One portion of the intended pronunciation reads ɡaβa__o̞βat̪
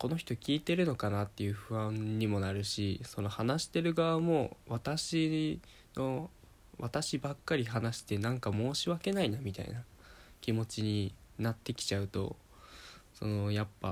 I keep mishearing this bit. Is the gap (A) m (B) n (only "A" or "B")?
A